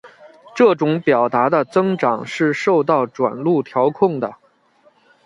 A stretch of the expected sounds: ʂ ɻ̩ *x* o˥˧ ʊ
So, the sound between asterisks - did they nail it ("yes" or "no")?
no